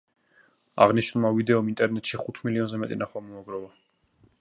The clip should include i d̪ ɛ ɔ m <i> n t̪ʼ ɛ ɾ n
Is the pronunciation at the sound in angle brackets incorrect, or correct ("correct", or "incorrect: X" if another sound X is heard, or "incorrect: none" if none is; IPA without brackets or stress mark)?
correct